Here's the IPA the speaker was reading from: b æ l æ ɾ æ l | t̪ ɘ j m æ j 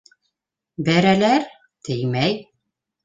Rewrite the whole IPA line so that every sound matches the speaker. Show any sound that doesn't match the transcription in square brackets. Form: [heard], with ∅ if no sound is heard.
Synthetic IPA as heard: b æ [ɾ] æ [l] æ [ɾ] | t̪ ɘ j m æ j